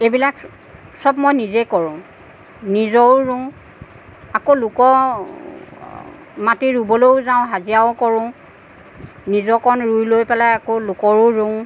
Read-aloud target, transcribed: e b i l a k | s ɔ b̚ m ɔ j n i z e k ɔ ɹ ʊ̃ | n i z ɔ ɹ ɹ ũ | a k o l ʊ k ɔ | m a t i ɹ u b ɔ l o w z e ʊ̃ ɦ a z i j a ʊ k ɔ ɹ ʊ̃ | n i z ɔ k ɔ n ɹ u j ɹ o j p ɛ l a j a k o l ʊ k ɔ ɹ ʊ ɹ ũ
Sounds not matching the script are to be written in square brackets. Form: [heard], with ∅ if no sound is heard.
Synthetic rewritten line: e b i l a k | s ɔ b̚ m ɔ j n i z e k ɔ ɹ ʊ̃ | n i z ɔ ɹ ɹ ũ | a k o l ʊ k ɔ | m a t i ɹ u b ɔ l o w z [a] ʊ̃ ɦ a z i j a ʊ k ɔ ɹ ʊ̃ | n i z ɔ k ɔ n ɹ u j [l] o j p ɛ l a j a k o l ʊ k ɔ ɹ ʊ ɹ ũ

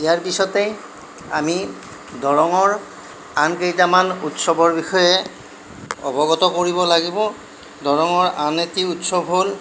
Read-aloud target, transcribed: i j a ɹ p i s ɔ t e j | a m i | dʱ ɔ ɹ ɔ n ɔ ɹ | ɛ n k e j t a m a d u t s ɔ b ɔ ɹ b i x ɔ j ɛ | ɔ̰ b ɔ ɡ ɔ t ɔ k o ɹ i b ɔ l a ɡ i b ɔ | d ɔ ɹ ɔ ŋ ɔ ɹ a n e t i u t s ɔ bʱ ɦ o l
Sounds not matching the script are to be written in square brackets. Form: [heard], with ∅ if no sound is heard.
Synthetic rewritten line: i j a ɹ p i s ɔ t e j | a m i | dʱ ɔ ɹ ɔ [ŋ] ɔ ɹ | [a] n k e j t a m a [n] u t s ɔ b ɔ ɹ b i x ɔ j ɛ | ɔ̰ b ɔ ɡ ɔ t ɔ k o ɹ i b ɔ l a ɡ i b ɔ | d ɔ ɹ ɔ ŋ ɔ ɹ a n e t i u t s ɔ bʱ ɦ o l

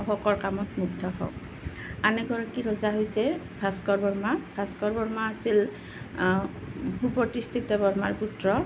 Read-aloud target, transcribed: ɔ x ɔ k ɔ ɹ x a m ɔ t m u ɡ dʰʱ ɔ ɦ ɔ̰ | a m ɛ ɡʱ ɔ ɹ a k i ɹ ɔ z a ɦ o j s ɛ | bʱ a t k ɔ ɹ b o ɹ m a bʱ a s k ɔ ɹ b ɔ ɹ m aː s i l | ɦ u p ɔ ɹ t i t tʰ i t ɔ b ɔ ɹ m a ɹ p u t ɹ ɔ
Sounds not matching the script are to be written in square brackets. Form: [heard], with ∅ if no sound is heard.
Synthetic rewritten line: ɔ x ɔ k ɔ ɹ [k] a m ɔ t m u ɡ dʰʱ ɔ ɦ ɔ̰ | a [n] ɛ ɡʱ ɔ ɹ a k i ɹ ɔ z a ɦ o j s ɛ | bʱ a [s] k ɔ ɹ b [ɔ] ɹ m a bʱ a s k ɔ ɹ b ɔ ɹ m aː s i l | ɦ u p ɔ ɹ t i [s] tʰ i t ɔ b ɔ ɹ m a ɹ p u t ɹ ɔ

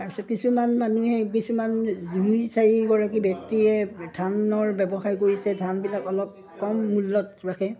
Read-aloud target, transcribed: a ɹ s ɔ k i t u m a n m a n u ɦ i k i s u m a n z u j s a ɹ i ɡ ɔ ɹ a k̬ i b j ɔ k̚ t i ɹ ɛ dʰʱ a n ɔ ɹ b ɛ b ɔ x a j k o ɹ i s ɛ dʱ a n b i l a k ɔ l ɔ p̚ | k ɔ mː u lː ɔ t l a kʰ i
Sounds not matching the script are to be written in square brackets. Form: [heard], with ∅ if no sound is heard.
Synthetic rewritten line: a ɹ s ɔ k i [s] u m a n m a n u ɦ [ɛ] k i s u m a n z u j s a ɹ i ɡ ɔ ɹ a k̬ i b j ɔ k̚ t i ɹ ɛ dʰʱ a n ɔ ɹ b ɛ b ɔ x a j k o ɹ i s ɛ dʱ a n b i l a k ɔ l ɔ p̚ | k ɔ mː u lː ɔ t [ɹ] a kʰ [ɛ]

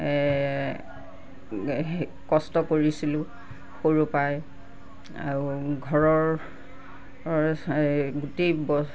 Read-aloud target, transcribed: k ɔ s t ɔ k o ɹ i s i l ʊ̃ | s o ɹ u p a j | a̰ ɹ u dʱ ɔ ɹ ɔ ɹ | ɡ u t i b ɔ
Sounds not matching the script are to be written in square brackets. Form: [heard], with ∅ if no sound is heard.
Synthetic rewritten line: k ɔ s t ɔ k o ɹ i s i l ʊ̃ | [x] o ɹ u p a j | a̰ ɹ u [ɡʱ] ɔ ɹ ɔ ɹ | ɡ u t [e] b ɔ

